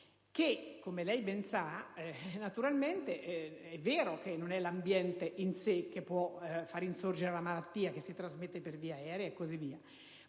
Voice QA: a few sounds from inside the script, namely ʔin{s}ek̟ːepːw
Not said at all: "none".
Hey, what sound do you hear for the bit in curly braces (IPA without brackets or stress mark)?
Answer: s